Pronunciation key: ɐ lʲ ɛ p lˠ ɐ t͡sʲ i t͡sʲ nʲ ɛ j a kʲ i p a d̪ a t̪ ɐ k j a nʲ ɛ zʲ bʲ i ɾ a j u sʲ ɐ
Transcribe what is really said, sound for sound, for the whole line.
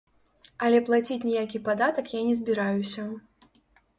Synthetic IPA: ɐ lʲ ɛ p lˠ a t͡sʲ i t͡sʲ nʲ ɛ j a kʲ i p a d̪ a t̪ ɐ k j a nʲ ɛ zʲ bʲ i ɾ a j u sʲ ɐ